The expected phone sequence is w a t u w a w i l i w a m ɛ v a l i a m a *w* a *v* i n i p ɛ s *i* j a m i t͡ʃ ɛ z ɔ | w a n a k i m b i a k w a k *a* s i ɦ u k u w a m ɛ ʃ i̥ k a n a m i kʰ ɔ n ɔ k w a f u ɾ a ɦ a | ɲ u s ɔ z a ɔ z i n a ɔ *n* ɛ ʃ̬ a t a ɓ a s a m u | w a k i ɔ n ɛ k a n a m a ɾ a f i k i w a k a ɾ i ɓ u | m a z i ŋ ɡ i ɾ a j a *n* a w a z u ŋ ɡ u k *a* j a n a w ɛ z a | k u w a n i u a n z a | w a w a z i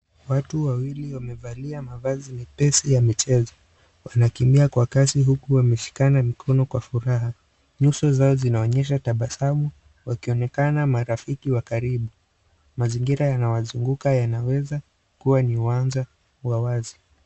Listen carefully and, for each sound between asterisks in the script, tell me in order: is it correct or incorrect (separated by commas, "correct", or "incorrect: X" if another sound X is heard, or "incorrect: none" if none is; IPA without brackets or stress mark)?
incorrect: v, incorrect: z, correct, correct, incorrect: ɲ, correct, correct